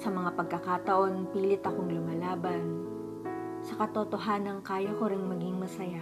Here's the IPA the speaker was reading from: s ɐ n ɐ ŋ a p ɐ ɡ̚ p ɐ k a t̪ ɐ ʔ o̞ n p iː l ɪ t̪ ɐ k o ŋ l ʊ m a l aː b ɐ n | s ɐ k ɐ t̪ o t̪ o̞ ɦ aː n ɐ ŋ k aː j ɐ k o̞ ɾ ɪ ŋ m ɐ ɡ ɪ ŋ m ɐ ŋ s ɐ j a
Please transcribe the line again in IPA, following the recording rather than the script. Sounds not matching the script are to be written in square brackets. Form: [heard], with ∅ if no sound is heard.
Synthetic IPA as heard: s ɐ [m] ɐ ŋ a p ɐ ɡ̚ [k] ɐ k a t̪ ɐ ʔ o̞ n p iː l ɪ t̪ ɐ k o ŋ l ʊ m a l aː b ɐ n | s ɐ k ɐ t̪ o t̪ o̞ ɦ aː n ɐ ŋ k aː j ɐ k o̞ ɾ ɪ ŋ m ɐ ɡ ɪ ŋ m ɐ [∅] s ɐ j a